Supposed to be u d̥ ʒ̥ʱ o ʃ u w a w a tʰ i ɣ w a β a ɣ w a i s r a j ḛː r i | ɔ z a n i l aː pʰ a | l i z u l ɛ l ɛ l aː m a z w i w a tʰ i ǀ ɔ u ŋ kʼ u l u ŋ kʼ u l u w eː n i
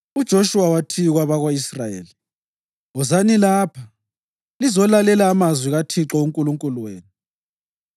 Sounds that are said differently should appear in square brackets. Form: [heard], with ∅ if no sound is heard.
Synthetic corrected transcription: u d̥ ʒ̥ʱ o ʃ u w a w a tʰ i ɣ w a β a ɣ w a i s r a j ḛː [l] i | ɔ z a n i l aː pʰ a | l i z [ɔ] l [a] l ɛ l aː m a z w i [ɣ] a tʰ i [ǁ] ɔ u ŋ kʼ u l u ŋ kʼ u l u w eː n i